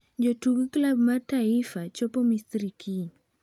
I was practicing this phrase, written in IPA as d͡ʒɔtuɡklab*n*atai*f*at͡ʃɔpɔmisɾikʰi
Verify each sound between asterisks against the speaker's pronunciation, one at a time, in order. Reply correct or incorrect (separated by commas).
incorrect, correct